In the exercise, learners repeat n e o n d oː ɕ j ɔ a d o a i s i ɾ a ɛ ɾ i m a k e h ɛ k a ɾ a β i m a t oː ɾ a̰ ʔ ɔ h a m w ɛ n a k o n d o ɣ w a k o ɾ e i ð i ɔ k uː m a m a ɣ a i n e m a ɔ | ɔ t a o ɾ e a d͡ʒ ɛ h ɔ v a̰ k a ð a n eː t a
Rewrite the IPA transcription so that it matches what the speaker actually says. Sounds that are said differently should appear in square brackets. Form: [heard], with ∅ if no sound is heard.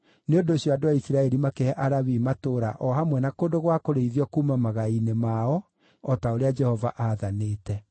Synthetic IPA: n e o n d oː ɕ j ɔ a d o a i s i ɾ a ɛ ɾ i m a k e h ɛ [ʔ] a ɾ a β i m a t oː ɾ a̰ ʔ ɔ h a m w ɛ n a k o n d o ɣ w a k o ɾ e i ð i ɔ k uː m a m a ɣ a i n e m a ɔ | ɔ t a o ɾ e a d͡ʒ ɛ h ɔ v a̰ [ʔ] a ð a n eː t [ɛ]